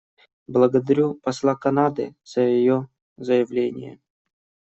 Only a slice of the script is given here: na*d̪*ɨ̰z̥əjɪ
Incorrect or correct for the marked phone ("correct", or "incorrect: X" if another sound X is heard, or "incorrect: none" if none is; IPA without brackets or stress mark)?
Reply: correct